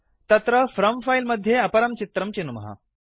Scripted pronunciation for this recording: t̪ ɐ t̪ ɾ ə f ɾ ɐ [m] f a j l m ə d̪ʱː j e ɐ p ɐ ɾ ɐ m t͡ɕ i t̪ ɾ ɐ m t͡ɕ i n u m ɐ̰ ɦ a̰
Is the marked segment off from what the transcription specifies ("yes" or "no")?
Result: no